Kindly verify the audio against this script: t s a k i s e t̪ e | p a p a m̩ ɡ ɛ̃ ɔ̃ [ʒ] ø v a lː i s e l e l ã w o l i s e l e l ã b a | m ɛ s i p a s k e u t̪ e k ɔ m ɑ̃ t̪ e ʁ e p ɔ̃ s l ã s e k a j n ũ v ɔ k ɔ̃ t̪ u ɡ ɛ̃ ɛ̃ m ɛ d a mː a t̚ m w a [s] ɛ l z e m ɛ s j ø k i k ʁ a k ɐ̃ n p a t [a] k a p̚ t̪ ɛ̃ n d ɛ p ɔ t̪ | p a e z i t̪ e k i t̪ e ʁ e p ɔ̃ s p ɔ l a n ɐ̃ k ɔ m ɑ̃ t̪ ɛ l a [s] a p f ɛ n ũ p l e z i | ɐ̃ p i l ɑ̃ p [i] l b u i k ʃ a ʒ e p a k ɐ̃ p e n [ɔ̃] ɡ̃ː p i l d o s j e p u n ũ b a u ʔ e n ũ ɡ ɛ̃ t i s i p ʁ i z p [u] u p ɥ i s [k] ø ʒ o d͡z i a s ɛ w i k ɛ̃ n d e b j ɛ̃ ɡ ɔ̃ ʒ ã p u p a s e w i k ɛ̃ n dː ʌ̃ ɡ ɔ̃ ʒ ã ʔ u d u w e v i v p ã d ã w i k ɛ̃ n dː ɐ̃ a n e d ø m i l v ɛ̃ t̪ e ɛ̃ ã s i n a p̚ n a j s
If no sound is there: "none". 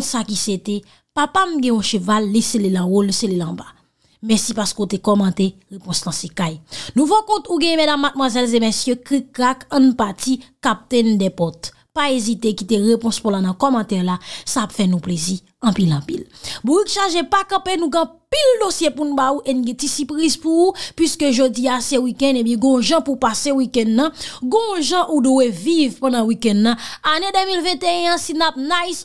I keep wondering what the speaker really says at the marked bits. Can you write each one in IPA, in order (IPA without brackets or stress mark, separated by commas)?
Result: ʃ, z, i, s, i, ũ, u, k